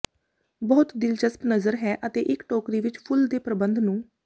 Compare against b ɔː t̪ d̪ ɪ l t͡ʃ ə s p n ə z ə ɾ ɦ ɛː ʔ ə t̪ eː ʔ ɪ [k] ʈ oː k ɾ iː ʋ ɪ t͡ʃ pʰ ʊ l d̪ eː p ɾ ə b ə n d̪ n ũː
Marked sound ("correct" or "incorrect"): correct